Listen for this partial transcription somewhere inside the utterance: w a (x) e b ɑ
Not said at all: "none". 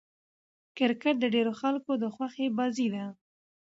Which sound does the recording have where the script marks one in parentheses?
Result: x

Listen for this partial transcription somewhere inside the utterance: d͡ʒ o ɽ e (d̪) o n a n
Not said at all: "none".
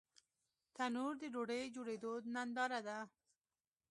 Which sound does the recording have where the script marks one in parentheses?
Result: d̪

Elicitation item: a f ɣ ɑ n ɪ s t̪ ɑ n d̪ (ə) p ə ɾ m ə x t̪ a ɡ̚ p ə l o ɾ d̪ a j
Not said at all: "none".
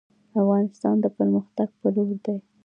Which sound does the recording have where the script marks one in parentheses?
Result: ə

